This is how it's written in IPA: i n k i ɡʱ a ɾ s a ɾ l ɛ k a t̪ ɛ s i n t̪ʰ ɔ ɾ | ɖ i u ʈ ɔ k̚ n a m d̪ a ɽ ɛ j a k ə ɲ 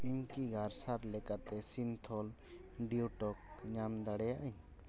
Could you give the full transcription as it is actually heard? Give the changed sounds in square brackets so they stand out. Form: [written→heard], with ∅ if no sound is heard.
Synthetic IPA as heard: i [n→ɲ] k i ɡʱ a ɾ s a ɾ l ɛ k a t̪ ɛ s i n t̪ʰ ɔ [ɾ→l] | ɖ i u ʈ ɔ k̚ [n→ɲ] a m d̪ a ɽ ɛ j a [k→ʔ] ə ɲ